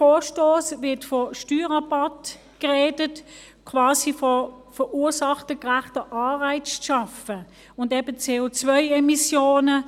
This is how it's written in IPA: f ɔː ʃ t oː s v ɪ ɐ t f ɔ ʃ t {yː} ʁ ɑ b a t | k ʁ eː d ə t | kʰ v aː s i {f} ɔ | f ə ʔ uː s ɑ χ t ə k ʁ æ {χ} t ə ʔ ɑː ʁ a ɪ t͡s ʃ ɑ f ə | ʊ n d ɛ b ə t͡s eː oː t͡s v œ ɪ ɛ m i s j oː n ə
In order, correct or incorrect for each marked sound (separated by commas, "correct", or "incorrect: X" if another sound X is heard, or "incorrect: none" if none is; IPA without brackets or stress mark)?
correct, correct, correct